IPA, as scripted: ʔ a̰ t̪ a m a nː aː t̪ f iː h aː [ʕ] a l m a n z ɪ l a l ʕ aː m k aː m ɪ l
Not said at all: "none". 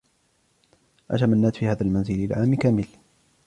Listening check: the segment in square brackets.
ð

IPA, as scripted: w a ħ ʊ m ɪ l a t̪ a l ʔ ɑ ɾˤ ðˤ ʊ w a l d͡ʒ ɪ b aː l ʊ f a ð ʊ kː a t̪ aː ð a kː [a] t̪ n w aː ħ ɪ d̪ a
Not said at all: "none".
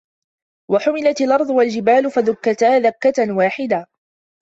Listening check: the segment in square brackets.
a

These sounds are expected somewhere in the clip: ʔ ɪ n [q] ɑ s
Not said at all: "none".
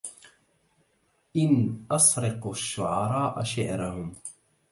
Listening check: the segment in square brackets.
ʔ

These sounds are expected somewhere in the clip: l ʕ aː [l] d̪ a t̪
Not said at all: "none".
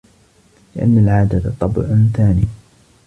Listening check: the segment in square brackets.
none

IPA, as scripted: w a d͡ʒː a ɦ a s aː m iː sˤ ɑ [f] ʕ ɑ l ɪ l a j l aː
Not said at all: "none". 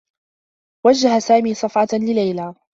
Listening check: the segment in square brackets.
f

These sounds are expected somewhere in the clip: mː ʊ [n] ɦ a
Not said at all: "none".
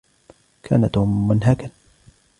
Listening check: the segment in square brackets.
n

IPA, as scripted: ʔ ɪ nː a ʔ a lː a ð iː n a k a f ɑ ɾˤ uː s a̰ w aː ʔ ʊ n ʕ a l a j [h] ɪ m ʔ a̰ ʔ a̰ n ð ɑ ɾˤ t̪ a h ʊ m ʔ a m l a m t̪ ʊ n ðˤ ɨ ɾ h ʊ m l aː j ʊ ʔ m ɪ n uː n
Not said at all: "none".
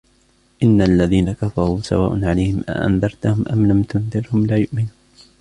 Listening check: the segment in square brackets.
h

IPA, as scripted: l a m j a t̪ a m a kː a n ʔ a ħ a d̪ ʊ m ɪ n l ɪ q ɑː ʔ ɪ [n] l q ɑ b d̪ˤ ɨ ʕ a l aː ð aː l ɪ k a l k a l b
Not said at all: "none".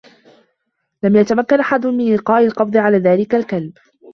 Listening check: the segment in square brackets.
none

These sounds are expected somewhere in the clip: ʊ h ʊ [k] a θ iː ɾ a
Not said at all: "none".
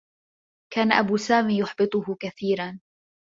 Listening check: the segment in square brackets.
k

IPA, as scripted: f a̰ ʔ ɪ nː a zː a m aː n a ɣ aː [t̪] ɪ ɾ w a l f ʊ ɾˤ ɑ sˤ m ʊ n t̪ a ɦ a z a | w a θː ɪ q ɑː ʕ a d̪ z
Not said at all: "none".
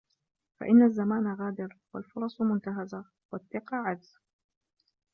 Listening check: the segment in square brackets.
d̪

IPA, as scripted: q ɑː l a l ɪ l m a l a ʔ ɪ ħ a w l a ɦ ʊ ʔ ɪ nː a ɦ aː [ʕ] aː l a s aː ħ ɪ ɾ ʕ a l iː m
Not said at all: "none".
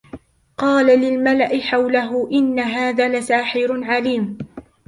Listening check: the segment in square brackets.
ð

